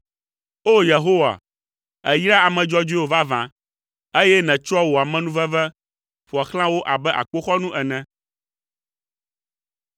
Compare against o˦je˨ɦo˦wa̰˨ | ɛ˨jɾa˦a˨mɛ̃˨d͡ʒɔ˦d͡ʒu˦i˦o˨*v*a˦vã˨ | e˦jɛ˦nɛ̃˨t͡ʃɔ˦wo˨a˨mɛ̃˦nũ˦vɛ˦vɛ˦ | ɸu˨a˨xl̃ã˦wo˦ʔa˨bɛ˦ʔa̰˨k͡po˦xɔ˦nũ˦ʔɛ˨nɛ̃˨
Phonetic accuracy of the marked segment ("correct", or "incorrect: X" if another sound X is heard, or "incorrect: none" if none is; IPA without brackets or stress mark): correct